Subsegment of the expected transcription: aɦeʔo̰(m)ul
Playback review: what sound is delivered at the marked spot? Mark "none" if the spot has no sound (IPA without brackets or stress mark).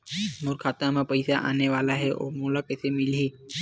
m